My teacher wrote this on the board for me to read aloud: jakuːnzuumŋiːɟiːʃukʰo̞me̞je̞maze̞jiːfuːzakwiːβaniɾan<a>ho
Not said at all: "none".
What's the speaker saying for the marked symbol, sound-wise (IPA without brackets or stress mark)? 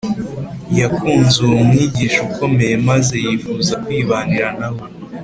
a